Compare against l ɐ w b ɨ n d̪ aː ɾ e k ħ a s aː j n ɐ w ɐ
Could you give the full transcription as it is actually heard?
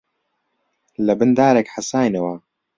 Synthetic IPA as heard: l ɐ b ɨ n d̪ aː ɾ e k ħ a s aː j n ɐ w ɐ